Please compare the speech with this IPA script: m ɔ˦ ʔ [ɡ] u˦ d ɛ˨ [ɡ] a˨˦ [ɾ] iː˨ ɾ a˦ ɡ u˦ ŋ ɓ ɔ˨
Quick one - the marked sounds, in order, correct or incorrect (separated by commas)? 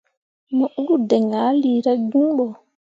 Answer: correct, incorrect, incorrect